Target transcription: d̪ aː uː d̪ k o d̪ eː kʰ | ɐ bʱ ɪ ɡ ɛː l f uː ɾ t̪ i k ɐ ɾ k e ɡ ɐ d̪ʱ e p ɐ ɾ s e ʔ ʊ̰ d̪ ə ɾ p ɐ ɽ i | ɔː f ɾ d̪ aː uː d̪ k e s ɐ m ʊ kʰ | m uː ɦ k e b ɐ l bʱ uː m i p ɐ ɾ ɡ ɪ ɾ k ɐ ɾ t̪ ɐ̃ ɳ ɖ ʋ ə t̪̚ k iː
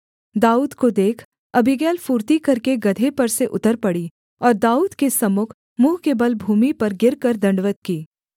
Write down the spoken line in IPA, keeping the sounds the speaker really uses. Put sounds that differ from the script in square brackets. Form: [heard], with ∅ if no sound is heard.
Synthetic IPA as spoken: d̪ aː uː d̪ k o d̪ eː kʰ | ɐ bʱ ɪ ɡ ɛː l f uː ɾ t̪ i k ɐ ɾ k e ɡ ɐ d̪ʱ e p ɐ ɾ s e ʔ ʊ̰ [t̪] ə ɾ p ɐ ɽ i | ɔː [∅] ɾ d̪ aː uː d̪ k e s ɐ m ʊ kʰ | m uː ɦ k e b ɐ l bʱ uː m i p ɐ ɾ ɡ ɪ ɾ k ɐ ɾ [d̪] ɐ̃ ɳ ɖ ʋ ə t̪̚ k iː